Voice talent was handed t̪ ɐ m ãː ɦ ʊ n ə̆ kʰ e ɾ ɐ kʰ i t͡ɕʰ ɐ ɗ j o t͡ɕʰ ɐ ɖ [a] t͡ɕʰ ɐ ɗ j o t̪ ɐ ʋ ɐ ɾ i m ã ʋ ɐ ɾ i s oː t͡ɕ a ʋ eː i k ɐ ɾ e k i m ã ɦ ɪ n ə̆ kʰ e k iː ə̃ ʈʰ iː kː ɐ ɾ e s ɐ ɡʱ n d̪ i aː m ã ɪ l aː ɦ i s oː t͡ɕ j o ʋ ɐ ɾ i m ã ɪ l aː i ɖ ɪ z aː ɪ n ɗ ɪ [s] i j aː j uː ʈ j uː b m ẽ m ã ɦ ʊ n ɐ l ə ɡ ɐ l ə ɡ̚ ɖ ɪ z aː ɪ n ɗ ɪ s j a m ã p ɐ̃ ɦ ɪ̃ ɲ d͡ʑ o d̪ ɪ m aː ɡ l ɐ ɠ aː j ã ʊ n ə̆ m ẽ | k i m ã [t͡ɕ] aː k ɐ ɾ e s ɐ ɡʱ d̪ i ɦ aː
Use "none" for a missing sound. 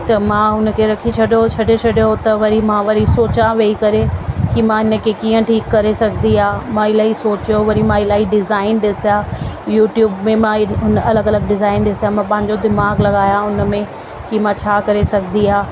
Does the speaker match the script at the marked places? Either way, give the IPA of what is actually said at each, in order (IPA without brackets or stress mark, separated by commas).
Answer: e, s, t͡ɕʰ